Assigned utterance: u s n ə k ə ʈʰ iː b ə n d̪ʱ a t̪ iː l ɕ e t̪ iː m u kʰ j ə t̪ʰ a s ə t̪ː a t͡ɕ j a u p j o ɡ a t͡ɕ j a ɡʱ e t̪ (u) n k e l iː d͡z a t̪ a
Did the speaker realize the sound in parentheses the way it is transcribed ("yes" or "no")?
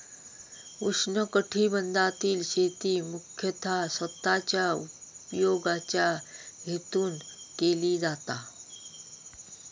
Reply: no